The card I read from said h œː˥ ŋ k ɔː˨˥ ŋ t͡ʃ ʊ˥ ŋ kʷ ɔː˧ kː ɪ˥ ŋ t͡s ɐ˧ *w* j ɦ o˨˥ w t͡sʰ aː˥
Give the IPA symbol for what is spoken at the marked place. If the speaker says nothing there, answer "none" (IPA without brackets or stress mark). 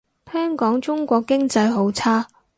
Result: none